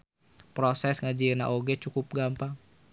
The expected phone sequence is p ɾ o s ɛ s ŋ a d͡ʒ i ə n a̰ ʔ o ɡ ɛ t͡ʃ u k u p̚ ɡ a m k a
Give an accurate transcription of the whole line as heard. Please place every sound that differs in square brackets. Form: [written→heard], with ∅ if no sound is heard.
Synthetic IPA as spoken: p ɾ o s ɛ s ŋ a d͡ʒ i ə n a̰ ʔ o ɡ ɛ t͡ʃ u k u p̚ ɡ a m [k→p] a